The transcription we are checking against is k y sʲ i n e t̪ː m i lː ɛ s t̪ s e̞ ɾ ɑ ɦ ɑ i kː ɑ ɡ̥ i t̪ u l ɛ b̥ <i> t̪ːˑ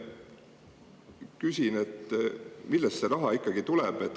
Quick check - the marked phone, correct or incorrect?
incorrect